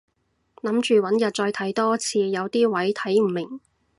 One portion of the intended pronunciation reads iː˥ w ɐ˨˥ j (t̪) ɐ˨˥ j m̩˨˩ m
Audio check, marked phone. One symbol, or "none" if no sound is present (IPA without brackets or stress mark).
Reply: t̪ʰ